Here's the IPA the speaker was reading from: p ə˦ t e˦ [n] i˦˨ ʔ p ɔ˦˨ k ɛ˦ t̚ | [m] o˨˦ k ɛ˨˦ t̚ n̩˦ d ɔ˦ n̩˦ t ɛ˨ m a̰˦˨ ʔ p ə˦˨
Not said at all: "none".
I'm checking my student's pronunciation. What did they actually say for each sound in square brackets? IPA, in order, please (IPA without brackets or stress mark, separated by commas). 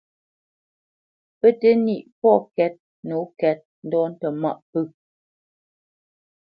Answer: n, n